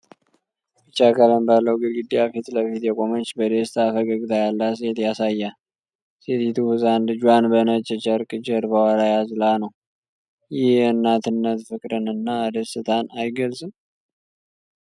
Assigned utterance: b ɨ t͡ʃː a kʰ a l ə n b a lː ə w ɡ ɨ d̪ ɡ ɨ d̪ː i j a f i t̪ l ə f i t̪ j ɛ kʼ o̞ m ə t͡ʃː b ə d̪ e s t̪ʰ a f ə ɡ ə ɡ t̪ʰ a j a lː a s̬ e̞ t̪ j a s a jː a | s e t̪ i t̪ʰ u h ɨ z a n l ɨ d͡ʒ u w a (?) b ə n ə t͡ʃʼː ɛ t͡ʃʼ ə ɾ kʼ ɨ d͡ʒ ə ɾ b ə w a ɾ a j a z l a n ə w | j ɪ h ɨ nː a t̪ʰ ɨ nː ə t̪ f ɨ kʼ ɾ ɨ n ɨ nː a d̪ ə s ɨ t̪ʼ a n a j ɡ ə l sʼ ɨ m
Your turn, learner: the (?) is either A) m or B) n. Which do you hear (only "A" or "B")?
B